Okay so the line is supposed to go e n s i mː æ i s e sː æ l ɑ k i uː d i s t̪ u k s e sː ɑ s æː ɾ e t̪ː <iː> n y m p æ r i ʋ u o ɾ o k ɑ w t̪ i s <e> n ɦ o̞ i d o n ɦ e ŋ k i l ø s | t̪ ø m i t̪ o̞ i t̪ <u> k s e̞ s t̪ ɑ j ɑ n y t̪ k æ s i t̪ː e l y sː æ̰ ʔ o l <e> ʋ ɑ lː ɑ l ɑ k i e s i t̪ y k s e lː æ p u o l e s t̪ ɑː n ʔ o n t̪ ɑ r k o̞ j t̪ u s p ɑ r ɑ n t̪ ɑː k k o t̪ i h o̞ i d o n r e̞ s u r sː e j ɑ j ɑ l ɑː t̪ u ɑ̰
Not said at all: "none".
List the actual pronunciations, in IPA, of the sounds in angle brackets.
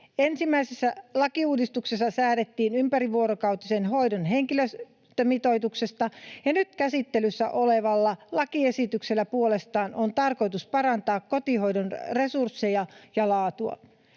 iː, e, u, e

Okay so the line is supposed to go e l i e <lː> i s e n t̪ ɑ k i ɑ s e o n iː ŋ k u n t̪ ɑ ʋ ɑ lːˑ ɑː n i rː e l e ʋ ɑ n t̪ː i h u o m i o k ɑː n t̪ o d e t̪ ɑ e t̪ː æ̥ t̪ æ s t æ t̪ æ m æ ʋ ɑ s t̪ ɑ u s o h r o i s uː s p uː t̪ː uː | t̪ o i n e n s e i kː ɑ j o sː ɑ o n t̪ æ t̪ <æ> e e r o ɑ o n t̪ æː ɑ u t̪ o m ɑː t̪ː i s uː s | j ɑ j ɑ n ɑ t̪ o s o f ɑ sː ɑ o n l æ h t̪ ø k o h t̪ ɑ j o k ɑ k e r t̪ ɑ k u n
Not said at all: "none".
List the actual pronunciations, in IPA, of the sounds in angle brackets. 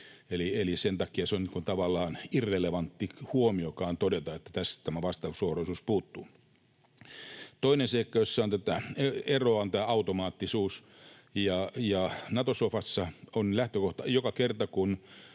l, æ

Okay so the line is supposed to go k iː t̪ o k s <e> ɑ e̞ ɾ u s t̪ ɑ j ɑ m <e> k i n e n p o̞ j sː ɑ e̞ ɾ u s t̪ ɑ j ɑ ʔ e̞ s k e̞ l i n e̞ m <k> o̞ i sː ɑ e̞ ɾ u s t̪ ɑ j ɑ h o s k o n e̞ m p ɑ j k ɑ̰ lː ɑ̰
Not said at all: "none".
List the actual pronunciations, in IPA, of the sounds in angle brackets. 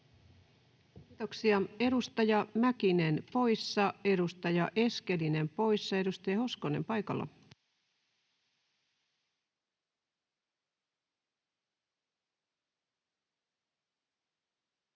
i, æ, p

